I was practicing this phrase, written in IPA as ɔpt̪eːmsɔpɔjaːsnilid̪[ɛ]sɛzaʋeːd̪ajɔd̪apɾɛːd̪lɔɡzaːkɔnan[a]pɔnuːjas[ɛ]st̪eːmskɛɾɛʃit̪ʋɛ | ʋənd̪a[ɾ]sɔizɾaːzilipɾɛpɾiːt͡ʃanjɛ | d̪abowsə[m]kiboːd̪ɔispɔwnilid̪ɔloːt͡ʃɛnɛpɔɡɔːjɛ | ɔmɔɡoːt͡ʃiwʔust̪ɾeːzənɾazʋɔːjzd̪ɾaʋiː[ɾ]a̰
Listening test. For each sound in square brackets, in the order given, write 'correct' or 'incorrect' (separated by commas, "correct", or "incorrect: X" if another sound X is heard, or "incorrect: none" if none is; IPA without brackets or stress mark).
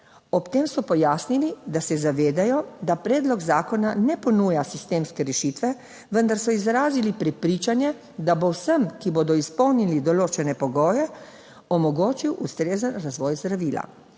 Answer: incorrect: a, incorrect: ɛ, incorrect: i, correct, correct, incorrect: l